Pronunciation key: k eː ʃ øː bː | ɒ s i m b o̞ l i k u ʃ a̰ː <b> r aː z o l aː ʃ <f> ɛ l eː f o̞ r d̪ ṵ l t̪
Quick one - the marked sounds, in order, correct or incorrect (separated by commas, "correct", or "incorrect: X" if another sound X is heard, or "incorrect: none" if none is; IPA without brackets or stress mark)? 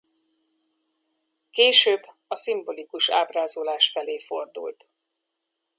correct, correct